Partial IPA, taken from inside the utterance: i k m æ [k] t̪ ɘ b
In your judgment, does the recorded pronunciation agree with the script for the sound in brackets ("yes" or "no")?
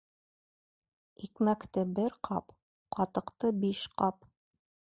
yes